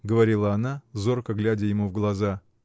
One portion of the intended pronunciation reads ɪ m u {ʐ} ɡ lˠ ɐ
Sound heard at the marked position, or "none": v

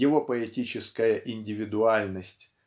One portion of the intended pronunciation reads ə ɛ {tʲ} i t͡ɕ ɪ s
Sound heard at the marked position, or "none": tʲ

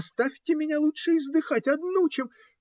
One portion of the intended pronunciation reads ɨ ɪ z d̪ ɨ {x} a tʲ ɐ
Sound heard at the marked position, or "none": x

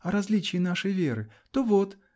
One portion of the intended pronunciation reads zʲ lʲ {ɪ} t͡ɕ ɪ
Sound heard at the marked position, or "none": i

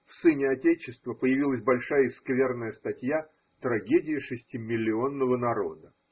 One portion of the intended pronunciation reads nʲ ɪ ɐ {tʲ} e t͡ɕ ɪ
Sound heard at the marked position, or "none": tʲ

